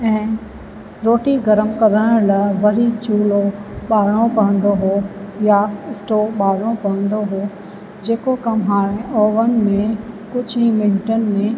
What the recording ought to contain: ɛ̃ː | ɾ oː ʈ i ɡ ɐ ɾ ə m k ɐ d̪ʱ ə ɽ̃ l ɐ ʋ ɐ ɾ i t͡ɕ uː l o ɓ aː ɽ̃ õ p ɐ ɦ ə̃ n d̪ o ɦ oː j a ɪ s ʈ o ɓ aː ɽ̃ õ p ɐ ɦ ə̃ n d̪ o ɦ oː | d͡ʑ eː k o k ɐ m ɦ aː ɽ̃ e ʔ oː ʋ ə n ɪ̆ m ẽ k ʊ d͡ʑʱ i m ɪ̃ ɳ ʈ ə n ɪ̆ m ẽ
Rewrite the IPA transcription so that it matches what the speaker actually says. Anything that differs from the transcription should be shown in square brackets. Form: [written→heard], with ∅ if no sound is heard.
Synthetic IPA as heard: ɛ̃ː | ɾ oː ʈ i ɡ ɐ ɾ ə m k ɐ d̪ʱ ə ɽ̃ l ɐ ʋ ɐ ɾ i t͡ɕ uː l o ɓ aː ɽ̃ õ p ɐ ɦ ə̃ n d̪ o ɦ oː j a ɪ s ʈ o ɓ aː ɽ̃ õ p ɐ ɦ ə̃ n d̪ o ɦ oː | d͡ʑ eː k o k ɐ m ɦ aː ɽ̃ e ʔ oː ʋ ə n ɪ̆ m ẽ k ʊ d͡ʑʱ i m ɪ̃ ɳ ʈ ə n ɪ̆ m ẽ

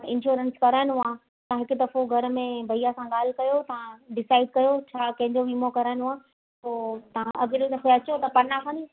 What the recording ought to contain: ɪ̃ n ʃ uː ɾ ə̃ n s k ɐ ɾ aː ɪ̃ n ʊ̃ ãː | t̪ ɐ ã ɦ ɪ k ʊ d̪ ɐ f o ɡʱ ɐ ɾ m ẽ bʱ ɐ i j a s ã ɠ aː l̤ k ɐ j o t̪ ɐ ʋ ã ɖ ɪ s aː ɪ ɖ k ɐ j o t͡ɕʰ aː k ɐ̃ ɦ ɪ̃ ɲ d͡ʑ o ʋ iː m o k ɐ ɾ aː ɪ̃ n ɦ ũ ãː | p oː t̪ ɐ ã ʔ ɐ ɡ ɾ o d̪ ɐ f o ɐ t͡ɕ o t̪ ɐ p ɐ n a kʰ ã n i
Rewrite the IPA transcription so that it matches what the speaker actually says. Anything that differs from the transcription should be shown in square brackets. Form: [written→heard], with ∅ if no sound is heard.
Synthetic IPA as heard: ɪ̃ n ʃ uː ɾ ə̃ n s k ɐ ɾ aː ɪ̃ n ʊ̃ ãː | t̪ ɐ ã ɦ ɪ k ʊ d̪ ɐ f o ɡʱ ɐ ɾ m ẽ bʱ ɐ i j a s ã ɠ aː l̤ k ɐ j o t̪ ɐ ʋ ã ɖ ɪ s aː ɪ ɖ k ɐ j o t͡ɕʰ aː k ɐ̃ ɦ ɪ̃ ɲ d͡ʑ o ʋ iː m o k ɐ ɾ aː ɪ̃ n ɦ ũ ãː | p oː t̪ ɐ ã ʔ ɐ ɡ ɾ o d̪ ɐ f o ɐ t͡ɕ o t̪ ɐ p ɐ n a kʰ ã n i

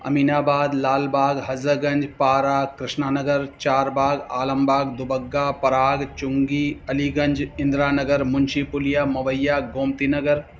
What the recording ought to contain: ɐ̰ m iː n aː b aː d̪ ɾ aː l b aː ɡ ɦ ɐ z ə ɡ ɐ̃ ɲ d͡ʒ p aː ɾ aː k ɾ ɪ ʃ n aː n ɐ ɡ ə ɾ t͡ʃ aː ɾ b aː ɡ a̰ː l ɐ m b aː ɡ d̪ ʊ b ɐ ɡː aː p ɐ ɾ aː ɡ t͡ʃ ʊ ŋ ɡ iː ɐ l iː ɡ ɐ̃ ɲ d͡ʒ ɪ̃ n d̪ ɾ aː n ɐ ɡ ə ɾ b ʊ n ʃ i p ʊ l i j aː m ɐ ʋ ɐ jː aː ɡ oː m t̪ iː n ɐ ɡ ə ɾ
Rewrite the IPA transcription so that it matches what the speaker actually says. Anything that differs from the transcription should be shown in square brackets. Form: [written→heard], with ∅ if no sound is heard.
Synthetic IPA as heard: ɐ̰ m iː n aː b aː d̪ [ɾ→l] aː l b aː ɡ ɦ ɐ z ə ɡ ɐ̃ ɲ d͡ʒ p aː ɾ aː k ɾ ɪ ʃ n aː n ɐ ɡ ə ɾ t͡ʃ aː ɾ b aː ɡ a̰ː l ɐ m b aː ɡ d̪ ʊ b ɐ ɡː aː p ɐ ɾ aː ɡ t͡ʃ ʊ ŋ ɡ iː ɐ l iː ɡ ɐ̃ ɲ d͡ʒ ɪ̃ n d̪ ɾ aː n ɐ ɡ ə ɾ [b→m] ʊ n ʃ i p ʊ l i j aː m ɐ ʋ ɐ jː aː ɡ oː m t̪ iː n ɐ ɡ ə ɾ

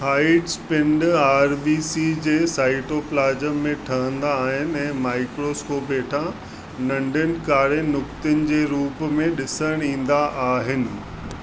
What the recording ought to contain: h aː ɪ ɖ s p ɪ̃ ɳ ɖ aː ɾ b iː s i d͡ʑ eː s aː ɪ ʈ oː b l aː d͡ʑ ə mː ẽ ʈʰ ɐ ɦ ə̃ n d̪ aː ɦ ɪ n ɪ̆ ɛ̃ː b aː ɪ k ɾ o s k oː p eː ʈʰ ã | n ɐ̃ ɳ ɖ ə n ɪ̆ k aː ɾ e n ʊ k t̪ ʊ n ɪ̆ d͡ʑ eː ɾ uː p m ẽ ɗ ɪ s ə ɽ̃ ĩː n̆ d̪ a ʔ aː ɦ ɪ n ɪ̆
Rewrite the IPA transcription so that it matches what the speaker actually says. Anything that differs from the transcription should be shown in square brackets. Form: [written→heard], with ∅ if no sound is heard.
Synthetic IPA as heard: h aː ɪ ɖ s p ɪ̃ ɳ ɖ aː ɾ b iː s i d͡ʑ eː s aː ɪ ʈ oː [b→p] l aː d͡ʑ ə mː ẽ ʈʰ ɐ ɦ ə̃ n d̪ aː ɦ ɪ n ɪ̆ ɛ̃ː [b→m] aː ɪ k ɾ o s k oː p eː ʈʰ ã | n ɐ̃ ɳ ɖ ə n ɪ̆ k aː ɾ e n ʊ k t̪ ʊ n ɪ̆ d͡ʑ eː ɾ uː p m ẽ ɗ ɪ s ə ɽ̃ ĩː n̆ d̪ a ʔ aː ɦ ɪ n ɪ̆

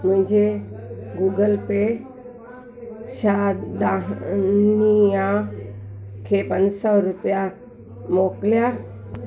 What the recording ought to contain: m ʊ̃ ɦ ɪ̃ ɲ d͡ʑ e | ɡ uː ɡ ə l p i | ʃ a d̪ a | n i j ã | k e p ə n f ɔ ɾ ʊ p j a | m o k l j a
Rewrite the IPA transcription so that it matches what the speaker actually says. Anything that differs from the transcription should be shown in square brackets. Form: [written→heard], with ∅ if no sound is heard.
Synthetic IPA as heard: m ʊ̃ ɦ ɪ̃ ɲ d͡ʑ e | ɡ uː ɡ ə l p [i→e] | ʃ a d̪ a | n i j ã | [k→kʰ] e p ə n [f→s] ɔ ɾ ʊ p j a | m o k l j a

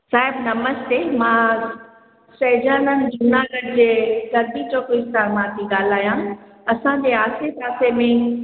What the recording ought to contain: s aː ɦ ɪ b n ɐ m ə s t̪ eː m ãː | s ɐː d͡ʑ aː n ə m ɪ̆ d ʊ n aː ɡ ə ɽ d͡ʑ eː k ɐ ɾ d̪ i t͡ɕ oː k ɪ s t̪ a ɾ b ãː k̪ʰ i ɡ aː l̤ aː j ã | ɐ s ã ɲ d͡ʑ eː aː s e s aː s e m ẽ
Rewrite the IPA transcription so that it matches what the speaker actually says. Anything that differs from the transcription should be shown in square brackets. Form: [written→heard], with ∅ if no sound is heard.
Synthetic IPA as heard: s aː ɦ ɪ b n ɐ m ə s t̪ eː m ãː | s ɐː d͡ʑ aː n ə [m→n] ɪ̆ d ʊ n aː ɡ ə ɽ d͡ʑ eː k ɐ ɾ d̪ i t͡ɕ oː k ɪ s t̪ a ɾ [b→m] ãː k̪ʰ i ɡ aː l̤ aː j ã | ɐ s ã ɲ d͡ʑ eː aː s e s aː s e m ẽ

